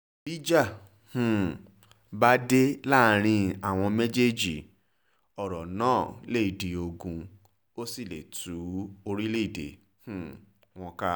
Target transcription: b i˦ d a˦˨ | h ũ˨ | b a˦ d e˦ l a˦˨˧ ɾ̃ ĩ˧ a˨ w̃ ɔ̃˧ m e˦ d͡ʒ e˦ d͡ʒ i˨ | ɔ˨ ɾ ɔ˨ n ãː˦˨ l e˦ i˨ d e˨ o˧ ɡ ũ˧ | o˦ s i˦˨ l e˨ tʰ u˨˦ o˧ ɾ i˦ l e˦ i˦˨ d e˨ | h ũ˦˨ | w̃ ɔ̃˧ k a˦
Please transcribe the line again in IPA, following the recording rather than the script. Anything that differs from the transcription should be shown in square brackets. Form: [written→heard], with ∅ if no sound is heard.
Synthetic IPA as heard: b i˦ [d→d͡ʒ] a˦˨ | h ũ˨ | b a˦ d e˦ l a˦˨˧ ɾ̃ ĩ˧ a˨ w̃ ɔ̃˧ m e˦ d͡ʒ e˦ d͡ʒ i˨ | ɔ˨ ɾ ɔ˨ n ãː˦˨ l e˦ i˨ d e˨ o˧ ɡ ũ˧ | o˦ s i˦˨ l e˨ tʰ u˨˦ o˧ ɾ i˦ l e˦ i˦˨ d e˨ | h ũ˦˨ | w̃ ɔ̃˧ k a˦